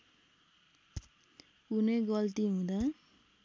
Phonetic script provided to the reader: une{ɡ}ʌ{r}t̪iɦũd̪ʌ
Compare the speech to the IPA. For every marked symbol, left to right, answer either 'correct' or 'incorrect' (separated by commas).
correct, incorrect